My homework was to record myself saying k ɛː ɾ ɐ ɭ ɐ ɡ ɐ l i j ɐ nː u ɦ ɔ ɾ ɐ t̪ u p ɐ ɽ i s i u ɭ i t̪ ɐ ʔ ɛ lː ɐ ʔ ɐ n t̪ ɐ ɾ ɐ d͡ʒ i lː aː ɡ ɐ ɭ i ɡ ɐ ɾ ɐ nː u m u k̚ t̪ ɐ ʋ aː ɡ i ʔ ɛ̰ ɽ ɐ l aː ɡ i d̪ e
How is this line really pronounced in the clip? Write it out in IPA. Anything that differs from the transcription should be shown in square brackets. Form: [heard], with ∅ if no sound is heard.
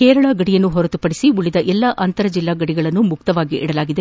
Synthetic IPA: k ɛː ɾ ɐ ɭ ɐ ɡ ɐ [ɽ] i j ɐ nː u ɦ ɔ ɾ ɐ t̪ u p ɐ ɽ i s i u ɭ i [d̪] ɐ ʔ ɛ lː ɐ ʔ ɐ n t̪ ɐ ɾ ɐ d͡ʒ i lː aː ɡ ɐ [ɽ] i ɡ ɐ [ɭ] ɐ nː u m u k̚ t̪ ɐ ʋ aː ɡ i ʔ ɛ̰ ɽ ɐ l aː ɡ i d̪ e